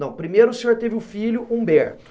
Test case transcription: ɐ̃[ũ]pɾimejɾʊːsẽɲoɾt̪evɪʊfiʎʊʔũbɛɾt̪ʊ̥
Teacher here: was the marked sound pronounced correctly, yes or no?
no